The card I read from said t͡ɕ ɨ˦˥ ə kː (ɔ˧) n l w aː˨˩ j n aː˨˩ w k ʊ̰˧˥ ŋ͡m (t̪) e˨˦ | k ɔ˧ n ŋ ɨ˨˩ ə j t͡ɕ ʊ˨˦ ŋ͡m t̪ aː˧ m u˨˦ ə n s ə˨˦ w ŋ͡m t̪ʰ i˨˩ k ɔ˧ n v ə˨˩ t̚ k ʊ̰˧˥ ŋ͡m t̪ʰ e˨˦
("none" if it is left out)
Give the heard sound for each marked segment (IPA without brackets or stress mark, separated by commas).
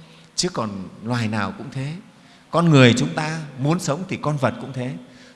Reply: ɔ˨˩, t̪ʰ